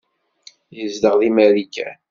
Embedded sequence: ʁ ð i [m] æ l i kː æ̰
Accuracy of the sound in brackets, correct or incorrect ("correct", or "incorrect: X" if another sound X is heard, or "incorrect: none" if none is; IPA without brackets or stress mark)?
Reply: correct